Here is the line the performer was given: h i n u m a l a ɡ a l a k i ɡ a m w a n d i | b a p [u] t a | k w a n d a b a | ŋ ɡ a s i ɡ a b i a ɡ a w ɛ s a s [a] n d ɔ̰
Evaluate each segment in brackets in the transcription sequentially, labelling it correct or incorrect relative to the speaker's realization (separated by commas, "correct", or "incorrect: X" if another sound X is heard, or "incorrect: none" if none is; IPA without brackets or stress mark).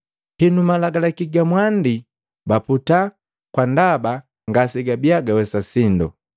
correct, incorrect: i